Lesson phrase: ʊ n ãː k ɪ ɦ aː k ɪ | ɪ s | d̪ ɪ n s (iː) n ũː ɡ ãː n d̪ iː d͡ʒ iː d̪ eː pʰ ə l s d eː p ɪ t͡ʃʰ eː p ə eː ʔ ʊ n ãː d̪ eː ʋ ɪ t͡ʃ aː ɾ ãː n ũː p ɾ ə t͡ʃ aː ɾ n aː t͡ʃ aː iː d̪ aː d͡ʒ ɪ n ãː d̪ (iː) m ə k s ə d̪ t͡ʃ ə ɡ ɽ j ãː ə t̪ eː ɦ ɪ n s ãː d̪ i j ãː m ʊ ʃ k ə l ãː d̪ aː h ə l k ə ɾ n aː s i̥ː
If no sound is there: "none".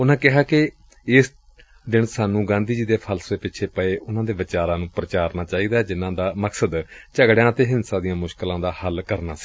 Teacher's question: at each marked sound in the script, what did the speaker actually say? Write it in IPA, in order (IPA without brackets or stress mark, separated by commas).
aː, aː